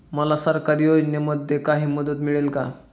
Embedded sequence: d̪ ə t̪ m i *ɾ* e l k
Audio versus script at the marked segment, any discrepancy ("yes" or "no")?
yes